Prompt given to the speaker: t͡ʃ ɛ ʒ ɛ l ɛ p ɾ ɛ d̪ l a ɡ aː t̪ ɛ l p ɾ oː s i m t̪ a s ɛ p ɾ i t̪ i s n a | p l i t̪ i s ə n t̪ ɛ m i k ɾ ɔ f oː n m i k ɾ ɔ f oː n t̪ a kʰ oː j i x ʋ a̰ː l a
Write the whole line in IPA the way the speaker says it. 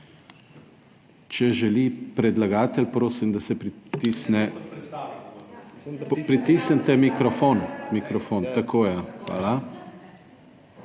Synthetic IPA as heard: t͡ʃ ɛ ʒ ɛ l i p ɾ ɛ d̪ l a ɡ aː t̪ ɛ l p ɾ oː s i m d̪ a s ɛ p ɾ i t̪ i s n ɛ | p ɾ i t̪ i s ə n t̪ ɛ m i k ɾ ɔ f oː n m i k ɾ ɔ f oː n t̪ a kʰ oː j a x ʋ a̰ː l a